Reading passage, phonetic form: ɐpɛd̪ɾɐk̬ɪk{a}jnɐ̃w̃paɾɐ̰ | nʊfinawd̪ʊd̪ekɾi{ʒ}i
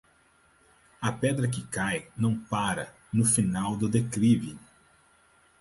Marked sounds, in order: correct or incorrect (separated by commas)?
correct, incorrect